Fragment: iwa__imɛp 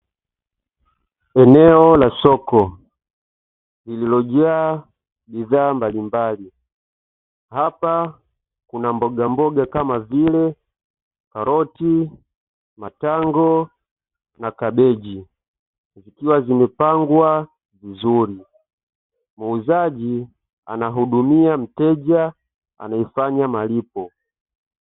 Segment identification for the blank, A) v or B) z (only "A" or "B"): B